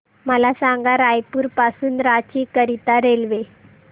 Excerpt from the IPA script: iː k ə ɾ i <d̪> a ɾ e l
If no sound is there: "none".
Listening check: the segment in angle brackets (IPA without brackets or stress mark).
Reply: t̪